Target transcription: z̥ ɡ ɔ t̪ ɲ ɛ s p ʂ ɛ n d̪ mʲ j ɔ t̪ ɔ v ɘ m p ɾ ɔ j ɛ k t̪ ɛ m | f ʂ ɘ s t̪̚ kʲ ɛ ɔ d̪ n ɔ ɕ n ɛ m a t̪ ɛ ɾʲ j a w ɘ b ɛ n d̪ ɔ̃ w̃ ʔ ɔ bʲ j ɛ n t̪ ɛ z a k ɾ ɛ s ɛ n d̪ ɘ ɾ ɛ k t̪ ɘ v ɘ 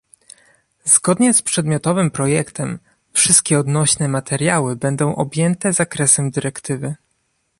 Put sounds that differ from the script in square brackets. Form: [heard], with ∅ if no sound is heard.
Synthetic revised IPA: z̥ ɡ ɔ [d̪] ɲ ɛ s p ʂ ɛ [∅] d̪ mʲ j ɔ t̪ ɔ v ɘ m p ɾ ɔ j ɛ k t̪ ɛ m | f ʂ ɘ s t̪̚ kʲ ɛ ɔ d̪ n ɔ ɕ n ɛ m a t̪ ɛ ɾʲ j a w ɘ b ɛ n d̪ ɔ̃ w̃ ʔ ɔ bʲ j ɛ n t̪ ɛ z a k ɾ ɛ s ɛ [m] d̪ ɘ ɾ ɛ k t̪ ɘ v ɘ